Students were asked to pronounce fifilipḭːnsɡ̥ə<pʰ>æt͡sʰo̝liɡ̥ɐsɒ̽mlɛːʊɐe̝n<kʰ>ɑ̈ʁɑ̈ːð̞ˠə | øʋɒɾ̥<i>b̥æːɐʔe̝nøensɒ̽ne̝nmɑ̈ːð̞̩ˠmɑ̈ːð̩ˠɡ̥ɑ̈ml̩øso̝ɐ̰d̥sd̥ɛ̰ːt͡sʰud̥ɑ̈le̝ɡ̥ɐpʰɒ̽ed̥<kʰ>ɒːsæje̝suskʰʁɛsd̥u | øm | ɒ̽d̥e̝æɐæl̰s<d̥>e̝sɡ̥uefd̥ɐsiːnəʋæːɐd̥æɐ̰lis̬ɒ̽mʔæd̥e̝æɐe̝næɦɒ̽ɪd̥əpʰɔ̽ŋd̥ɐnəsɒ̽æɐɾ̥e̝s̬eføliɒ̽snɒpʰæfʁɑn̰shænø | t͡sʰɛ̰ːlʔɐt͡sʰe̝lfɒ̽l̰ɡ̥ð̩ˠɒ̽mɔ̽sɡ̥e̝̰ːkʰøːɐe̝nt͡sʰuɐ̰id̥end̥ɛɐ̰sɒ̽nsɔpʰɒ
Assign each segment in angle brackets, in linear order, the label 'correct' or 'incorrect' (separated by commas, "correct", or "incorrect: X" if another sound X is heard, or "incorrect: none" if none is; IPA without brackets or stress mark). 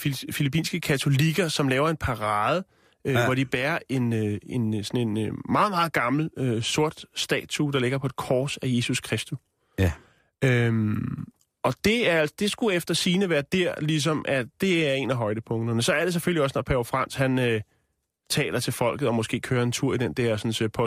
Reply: incorrect: kʰ, incorrect: pʰ, correct, correct, correct